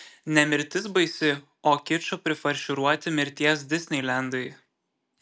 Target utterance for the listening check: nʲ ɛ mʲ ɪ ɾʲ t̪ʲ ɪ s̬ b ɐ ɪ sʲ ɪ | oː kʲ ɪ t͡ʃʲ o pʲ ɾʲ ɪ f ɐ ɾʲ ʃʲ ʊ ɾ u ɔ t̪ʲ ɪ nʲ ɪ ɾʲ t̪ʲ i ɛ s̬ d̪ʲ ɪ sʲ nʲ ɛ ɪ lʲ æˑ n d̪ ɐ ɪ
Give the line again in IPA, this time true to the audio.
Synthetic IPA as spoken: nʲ ɛ mʲ ɪ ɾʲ t̪ʲ ɪ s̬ b ɐ ɪ sʲ ɪ | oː kʲ ɪ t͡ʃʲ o pʲ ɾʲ ɪ f ɐ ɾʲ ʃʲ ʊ ɾ u ɔ t̪ʲ ɪ mʲ ɪ ɾʲ t̪ʲ i ɛ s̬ d̪ʲ ɪ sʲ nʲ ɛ ɪ lʲ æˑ n d̪ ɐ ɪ